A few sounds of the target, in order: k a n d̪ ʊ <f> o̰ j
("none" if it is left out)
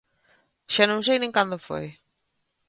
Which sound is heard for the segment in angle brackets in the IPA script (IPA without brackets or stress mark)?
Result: f